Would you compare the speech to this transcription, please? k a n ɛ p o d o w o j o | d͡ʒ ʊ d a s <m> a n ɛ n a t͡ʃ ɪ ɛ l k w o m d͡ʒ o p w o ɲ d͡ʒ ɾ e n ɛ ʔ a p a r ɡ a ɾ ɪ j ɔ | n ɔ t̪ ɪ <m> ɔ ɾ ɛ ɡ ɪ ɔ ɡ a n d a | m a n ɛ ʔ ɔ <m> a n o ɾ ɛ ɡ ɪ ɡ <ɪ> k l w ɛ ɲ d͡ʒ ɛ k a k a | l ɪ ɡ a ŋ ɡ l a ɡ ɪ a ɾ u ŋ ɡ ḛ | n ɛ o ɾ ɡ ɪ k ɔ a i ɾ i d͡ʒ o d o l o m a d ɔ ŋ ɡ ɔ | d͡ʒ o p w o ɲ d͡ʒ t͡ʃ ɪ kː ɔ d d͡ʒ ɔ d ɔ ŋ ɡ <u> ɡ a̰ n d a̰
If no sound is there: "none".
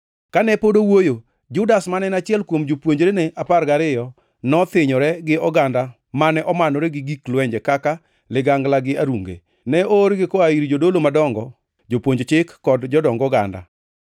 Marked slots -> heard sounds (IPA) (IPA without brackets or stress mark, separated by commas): m, ɲ, m, i, ɔ